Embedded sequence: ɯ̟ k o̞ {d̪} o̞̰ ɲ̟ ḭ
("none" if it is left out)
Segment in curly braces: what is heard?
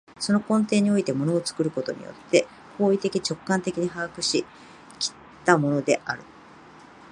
t̪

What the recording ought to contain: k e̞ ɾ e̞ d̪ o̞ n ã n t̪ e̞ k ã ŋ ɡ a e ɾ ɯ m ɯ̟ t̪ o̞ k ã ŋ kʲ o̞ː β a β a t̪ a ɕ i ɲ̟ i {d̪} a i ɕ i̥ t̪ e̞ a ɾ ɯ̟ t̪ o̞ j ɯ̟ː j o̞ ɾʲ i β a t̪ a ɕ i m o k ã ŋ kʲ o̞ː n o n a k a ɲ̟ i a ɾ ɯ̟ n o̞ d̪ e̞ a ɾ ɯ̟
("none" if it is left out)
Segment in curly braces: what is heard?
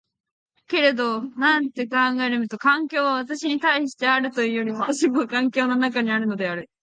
t̪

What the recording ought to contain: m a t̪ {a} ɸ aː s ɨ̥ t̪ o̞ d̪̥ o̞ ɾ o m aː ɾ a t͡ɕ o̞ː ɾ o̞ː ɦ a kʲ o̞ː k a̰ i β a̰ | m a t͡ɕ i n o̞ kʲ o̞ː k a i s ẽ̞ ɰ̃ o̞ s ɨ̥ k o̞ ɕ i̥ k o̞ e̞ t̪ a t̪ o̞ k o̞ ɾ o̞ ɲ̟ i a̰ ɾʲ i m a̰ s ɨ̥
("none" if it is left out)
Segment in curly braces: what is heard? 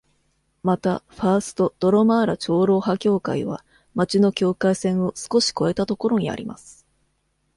a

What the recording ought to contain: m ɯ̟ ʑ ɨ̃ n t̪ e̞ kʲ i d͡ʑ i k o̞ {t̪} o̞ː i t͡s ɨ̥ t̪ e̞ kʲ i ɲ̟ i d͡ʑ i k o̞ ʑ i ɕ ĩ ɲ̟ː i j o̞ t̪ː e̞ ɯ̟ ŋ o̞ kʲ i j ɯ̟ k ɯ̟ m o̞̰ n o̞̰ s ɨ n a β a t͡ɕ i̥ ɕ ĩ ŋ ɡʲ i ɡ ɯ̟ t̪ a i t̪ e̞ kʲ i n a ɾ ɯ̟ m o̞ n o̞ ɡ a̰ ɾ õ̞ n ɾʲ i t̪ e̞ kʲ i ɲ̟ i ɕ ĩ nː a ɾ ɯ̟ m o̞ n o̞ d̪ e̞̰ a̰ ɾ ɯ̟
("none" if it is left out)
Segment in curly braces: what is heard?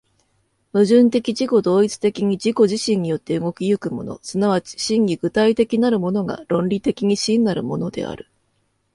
d̪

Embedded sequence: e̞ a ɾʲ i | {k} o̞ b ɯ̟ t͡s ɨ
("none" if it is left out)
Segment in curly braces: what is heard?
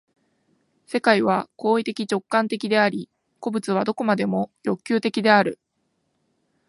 k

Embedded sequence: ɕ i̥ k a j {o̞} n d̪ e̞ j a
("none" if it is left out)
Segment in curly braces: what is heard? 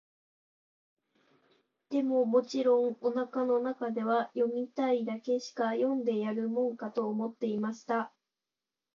õ̞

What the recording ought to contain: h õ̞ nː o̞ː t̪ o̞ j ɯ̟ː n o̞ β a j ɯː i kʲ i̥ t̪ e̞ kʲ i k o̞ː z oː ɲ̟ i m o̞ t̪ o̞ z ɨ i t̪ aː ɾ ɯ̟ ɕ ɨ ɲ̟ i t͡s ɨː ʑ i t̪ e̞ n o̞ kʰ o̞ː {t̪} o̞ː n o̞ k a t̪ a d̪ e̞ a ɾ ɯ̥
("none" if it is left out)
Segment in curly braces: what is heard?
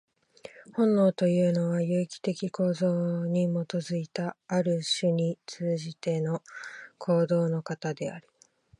d̪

